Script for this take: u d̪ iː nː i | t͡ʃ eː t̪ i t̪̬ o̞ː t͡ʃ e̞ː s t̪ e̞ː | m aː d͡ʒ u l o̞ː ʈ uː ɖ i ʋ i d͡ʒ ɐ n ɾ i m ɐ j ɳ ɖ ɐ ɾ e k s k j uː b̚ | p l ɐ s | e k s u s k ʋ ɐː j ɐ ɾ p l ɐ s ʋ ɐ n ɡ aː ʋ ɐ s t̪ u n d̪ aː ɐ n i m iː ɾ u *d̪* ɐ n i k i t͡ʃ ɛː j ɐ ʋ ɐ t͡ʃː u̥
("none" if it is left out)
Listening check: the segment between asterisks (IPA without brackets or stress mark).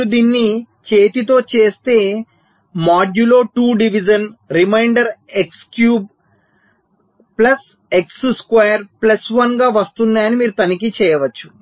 t̪